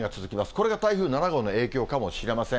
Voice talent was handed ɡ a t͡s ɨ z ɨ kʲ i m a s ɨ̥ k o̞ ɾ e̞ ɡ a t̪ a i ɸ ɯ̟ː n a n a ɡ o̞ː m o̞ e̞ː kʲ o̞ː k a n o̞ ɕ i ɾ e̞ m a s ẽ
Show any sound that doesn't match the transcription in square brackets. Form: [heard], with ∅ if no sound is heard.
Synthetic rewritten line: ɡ a t͡s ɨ z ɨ kʲ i m a s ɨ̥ k o̞ ɾ e̞ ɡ a t̪ a i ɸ ɯ̟ː n a n a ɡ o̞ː [n] o̞ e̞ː kʲ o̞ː k a [m] o̞ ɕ i ɾ e̞ m a s ẽ